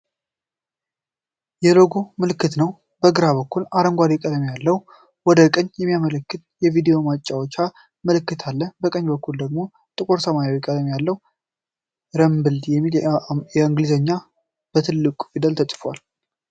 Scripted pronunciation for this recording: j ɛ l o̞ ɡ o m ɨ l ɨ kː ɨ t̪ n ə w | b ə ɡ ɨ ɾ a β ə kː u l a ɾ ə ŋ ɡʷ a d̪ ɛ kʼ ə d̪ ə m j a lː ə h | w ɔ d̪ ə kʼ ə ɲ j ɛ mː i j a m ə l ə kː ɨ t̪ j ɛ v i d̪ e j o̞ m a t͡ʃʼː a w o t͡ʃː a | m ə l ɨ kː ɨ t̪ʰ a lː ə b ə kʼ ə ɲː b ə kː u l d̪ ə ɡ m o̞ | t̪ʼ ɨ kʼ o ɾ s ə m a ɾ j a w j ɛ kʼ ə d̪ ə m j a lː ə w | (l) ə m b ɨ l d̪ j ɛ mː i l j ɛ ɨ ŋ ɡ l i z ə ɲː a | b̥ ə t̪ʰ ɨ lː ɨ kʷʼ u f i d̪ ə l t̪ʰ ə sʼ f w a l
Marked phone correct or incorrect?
incorrect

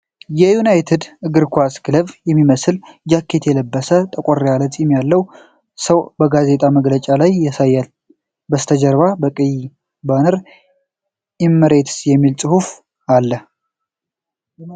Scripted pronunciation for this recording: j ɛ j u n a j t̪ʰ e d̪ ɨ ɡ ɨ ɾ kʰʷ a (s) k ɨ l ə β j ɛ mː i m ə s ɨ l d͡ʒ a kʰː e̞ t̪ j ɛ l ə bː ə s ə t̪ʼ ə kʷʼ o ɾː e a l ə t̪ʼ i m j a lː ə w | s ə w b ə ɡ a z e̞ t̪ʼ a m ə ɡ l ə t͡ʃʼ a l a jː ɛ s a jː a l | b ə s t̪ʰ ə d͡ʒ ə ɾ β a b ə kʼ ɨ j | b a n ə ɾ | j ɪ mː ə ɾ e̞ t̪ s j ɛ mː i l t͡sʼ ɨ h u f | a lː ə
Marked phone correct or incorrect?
correct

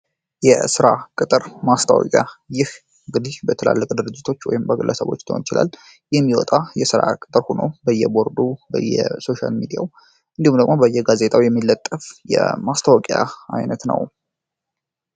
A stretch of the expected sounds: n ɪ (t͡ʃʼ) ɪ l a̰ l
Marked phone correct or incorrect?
incorrect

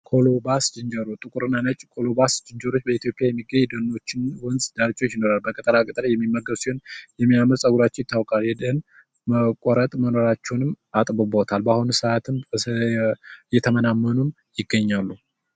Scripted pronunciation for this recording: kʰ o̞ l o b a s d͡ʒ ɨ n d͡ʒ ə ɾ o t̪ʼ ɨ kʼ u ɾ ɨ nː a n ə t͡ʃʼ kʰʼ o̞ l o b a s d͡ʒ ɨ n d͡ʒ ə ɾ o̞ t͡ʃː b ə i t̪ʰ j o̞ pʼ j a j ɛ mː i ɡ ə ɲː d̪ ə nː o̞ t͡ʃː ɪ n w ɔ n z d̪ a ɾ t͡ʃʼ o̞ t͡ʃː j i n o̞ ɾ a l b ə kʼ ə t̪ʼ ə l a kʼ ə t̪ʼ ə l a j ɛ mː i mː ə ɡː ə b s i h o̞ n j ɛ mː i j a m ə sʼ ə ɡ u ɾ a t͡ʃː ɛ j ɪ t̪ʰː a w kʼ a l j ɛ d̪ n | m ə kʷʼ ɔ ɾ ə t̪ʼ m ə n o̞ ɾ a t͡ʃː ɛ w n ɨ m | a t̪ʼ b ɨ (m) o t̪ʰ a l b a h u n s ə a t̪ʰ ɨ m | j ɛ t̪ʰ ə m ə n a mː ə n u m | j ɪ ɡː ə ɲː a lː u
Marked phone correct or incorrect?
incorrect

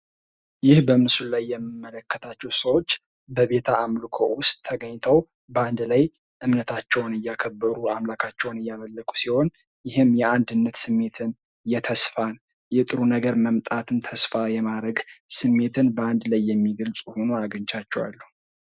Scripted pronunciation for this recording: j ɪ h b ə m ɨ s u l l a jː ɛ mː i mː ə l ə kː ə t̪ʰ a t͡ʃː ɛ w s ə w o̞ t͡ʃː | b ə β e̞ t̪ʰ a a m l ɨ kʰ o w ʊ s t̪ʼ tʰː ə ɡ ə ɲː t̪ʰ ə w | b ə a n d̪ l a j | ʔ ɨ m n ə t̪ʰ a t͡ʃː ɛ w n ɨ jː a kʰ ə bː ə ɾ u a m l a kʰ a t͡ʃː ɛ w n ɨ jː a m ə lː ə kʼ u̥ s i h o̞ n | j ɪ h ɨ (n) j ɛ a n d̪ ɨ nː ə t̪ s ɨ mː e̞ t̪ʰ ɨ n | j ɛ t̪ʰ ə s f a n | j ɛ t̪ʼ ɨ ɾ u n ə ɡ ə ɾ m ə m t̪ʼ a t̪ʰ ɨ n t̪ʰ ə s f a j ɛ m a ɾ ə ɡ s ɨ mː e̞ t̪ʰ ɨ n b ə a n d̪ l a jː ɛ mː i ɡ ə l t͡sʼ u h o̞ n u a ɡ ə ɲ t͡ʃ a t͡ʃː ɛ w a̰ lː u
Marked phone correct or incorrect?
incorrect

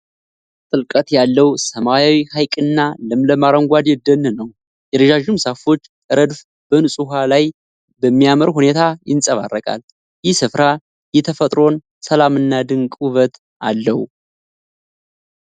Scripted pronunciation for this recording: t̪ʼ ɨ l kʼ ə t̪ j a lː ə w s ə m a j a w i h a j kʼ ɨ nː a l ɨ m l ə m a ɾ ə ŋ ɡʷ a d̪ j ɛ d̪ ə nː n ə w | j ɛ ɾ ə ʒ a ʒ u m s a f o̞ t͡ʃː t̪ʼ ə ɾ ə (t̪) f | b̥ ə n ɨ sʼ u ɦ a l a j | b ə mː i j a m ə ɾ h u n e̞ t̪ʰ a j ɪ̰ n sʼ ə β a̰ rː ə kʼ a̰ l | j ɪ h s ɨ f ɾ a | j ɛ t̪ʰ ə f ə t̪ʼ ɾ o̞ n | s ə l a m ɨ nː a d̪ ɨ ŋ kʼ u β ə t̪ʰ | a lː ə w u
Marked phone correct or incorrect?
incorrect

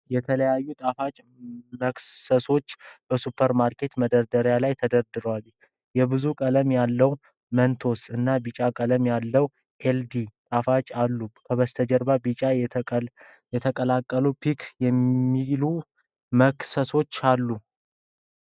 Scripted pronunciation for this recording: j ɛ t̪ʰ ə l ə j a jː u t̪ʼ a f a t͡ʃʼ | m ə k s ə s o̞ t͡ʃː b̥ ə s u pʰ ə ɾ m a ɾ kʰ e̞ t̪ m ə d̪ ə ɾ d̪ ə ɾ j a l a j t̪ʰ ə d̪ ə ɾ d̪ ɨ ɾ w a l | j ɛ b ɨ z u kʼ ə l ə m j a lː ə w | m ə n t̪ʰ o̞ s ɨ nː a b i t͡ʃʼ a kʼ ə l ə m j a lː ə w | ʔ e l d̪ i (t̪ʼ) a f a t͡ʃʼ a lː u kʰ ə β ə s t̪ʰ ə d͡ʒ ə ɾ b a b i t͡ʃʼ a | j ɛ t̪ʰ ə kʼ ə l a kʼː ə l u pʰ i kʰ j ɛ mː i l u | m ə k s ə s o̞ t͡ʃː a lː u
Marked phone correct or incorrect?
correct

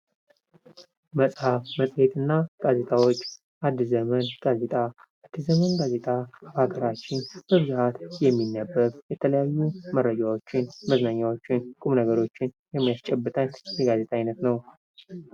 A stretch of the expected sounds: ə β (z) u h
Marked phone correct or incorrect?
correct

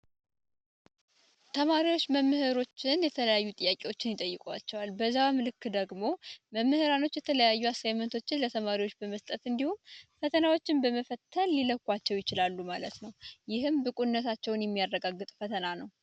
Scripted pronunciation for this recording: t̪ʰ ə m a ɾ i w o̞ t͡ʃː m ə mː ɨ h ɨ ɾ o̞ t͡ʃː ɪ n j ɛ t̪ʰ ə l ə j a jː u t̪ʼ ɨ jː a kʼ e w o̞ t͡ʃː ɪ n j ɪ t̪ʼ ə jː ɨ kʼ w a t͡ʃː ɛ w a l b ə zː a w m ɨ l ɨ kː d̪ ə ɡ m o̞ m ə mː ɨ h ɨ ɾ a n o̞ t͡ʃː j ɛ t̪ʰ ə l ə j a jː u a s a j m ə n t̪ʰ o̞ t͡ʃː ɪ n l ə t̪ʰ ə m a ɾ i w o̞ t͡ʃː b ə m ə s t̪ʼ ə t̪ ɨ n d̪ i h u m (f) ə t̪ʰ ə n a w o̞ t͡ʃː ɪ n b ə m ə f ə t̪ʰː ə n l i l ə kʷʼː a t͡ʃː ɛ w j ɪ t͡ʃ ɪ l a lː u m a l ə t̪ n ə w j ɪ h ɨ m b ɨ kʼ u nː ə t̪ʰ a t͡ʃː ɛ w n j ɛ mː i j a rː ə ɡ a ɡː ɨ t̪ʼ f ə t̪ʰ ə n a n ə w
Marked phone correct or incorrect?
correct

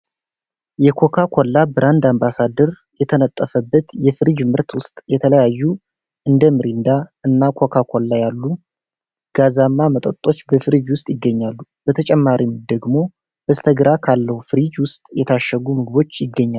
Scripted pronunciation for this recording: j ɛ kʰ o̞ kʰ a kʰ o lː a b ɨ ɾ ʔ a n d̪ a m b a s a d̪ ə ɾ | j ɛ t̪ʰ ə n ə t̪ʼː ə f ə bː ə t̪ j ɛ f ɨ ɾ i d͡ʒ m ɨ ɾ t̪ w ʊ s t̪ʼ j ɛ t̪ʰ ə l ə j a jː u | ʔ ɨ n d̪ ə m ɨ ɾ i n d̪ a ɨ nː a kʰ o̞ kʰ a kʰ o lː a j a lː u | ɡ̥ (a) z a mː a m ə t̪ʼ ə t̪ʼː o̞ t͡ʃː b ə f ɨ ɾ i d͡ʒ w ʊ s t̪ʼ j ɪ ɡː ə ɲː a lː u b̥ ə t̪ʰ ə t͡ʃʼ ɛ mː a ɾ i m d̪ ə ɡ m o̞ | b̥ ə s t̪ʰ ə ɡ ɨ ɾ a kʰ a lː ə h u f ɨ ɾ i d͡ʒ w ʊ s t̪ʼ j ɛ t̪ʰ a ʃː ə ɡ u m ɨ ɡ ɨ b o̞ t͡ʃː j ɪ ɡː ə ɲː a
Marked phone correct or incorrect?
correct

